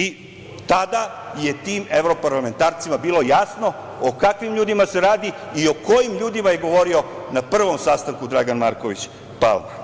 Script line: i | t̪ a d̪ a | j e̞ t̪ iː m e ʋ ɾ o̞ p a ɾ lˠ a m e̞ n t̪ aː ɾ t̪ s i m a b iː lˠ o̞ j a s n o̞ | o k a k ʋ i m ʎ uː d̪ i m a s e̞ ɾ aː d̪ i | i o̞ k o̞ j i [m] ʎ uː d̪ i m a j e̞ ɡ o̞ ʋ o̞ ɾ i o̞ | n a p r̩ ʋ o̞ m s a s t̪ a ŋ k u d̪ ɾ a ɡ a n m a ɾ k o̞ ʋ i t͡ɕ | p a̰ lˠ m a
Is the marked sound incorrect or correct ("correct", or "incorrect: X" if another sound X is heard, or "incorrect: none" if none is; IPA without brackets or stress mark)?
correct